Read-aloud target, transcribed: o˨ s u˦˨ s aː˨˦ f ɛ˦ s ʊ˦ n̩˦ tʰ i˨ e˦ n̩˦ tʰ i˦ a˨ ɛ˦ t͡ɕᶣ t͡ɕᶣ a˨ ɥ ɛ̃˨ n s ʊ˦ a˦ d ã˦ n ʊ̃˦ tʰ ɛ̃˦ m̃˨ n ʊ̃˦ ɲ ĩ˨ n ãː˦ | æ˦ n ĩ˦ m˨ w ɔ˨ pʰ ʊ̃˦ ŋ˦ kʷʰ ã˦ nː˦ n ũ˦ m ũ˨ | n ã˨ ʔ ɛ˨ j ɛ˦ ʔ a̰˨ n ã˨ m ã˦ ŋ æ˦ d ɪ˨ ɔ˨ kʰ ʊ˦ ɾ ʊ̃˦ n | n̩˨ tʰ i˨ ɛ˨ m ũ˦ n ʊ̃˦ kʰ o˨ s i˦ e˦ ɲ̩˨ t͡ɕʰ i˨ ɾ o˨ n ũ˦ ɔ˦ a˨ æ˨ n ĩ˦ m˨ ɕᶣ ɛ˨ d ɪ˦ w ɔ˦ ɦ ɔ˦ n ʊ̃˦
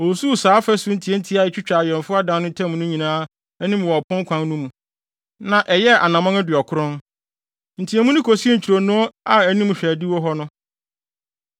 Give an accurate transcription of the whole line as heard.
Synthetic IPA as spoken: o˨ s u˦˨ s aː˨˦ f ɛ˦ s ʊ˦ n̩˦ tʰ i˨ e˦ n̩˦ tʰ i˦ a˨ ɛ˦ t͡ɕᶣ t͡ɕᶣ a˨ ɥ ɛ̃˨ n f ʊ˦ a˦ d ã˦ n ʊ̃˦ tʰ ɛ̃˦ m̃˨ n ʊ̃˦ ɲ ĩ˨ n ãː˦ | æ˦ n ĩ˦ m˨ w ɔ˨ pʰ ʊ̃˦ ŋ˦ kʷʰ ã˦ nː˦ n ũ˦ m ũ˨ | n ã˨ ʔ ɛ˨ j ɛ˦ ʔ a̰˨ n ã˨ m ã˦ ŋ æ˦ d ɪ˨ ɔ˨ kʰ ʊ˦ ɾ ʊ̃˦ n | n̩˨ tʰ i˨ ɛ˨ m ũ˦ n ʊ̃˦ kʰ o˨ s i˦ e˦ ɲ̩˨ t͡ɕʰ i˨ ɾ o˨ n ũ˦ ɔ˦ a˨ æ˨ n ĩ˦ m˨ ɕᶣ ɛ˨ d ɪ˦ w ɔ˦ ɦ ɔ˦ n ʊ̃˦

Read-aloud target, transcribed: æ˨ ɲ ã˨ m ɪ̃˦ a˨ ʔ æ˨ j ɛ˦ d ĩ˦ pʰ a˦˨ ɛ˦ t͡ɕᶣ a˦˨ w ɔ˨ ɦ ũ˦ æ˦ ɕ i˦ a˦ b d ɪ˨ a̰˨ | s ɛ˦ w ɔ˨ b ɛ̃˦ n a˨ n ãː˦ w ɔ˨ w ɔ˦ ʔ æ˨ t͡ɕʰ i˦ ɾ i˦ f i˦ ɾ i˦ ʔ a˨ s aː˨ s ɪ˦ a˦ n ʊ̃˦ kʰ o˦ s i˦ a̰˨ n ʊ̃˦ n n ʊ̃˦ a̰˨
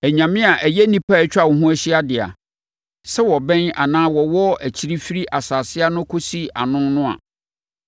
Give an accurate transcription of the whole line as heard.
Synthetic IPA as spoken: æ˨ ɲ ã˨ m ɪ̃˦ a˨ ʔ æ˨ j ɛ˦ n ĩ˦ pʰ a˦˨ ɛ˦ t͡ɕᶣ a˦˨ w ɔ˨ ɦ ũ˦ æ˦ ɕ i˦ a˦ d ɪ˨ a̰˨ | s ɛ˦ w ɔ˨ b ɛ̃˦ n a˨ n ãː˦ w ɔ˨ w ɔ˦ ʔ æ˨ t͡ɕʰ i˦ ɾ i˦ f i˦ ɾ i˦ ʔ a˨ s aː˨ s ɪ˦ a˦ n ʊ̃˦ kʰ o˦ s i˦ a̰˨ n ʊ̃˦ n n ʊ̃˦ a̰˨

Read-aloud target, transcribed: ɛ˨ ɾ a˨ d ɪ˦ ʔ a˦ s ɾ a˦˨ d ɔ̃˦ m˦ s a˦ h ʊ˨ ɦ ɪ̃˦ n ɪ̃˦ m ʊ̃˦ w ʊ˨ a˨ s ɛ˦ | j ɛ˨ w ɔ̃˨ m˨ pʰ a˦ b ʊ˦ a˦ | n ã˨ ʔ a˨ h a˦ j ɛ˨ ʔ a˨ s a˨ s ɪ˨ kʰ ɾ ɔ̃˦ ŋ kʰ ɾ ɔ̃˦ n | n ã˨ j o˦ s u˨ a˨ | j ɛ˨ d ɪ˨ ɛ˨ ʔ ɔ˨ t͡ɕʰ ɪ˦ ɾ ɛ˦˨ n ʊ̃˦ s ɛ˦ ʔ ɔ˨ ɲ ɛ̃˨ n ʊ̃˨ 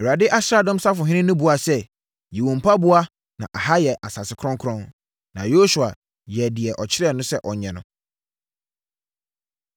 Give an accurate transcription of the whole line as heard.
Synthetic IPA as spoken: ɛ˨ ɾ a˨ d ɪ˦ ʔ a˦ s ɾ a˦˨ d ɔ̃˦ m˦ s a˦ f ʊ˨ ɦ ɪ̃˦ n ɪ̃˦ n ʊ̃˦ b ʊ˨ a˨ s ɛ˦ | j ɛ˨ w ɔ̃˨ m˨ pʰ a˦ b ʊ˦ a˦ | n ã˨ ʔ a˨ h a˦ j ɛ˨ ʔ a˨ s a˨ s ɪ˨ kʰ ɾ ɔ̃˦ ŋ kʰ ɾ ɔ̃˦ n | n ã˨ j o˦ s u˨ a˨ | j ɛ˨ d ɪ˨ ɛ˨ ʔ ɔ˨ t͡ɕʰ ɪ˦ ɾ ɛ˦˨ n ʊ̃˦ s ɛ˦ ʔ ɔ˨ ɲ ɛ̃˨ n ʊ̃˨

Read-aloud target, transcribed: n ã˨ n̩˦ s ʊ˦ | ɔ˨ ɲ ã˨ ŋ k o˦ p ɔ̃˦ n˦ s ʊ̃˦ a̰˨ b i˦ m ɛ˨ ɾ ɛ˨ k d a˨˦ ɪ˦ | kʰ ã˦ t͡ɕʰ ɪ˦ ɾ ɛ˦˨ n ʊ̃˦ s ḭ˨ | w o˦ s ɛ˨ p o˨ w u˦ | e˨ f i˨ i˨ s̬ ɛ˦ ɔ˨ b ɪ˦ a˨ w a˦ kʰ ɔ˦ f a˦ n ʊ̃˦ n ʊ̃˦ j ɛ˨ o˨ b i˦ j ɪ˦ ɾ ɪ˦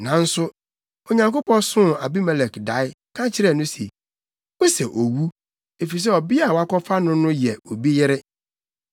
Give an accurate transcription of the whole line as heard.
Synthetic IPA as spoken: n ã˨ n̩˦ s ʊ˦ | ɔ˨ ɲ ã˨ ŋ k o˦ p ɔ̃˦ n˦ s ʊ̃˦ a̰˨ b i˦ m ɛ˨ l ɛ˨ k d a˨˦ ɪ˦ | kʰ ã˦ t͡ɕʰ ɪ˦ ɾ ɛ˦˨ n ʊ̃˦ s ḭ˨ | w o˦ s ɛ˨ ʔ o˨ w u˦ | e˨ f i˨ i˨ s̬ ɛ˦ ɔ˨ b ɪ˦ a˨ w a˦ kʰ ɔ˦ f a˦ n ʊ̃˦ n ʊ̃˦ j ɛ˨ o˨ b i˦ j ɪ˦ ɾ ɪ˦

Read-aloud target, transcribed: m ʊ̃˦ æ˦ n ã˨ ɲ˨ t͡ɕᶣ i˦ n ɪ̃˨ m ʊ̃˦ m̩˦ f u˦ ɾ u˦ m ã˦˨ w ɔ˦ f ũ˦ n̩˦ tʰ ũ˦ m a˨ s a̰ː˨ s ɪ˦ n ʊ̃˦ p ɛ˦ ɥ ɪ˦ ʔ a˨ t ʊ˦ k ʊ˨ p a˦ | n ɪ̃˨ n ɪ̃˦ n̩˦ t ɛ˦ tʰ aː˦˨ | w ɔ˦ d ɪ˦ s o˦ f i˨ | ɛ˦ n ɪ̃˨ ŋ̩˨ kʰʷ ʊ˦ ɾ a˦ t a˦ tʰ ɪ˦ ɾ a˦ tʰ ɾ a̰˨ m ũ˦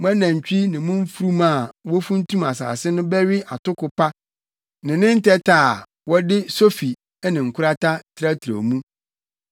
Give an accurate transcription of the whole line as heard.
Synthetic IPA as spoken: m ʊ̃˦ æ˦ n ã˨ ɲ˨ t͡ɕᶣ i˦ n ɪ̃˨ m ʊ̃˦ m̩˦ f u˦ ɾ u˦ m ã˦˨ w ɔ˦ f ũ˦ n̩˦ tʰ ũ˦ m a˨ s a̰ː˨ s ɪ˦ n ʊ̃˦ b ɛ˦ ɥ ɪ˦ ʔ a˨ t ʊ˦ k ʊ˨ p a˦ | n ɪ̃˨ n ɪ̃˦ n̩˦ t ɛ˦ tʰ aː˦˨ | w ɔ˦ d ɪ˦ s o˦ f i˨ | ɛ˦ n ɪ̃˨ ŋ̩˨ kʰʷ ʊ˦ ɾ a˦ t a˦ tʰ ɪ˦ ɾ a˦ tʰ ɾ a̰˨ m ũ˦

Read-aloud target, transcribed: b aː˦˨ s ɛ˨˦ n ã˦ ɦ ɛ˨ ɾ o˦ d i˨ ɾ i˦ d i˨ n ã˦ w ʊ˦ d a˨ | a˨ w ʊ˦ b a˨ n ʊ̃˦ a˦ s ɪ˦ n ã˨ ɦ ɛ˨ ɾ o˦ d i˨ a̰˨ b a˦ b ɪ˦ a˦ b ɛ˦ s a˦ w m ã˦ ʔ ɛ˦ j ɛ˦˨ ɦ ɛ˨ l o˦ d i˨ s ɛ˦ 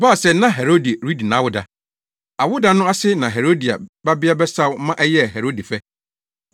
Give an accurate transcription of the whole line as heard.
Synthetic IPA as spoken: b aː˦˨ s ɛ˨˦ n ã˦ ɦ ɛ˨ ɾ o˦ d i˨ ɾ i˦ d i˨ n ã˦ w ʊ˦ d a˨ | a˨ w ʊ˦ d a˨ n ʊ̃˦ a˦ s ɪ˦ n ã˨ ɦ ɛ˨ ɾ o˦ d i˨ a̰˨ b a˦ b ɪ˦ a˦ b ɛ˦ s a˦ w m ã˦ ʔ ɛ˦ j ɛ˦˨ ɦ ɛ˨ ɾ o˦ d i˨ f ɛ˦

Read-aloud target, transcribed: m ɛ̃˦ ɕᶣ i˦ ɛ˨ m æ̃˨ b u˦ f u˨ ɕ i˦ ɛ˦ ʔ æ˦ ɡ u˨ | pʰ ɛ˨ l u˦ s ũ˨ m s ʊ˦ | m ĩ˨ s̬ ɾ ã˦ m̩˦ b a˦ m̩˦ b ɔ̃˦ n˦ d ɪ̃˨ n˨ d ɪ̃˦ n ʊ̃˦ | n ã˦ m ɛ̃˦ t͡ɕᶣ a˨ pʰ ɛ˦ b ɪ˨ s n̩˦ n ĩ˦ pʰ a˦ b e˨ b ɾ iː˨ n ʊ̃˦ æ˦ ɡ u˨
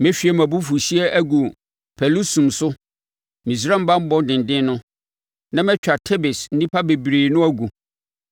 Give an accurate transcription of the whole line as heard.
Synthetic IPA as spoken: m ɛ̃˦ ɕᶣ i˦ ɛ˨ m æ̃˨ b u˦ f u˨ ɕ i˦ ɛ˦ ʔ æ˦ ɡ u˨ | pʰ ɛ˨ l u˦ s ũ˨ m s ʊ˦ | m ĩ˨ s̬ ɾ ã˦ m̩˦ b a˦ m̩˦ b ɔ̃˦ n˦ d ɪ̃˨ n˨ d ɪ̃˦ n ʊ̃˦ | n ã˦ m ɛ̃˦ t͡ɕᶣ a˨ tʰ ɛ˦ b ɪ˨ s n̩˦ n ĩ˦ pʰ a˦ b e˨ b ɾ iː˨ n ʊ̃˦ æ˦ ɡ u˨

